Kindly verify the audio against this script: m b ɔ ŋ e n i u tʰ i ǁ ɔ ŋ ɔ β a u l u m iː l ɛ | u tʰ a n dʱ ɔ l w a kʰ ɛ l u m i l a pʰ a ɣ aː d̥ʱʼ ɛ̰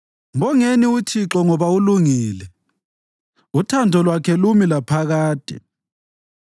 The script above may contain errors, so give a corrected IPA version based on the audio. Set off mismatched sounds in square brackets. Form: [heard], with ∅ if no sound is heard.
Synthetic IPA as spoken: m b ɔ ŋ e n i u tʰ i ǁ ɔ ŋ ɔ β a u l u [ŋ] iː l ɛ | u tʰ a n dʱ ɔ l w a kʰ ɛ l u m i l a pʰ a ɣ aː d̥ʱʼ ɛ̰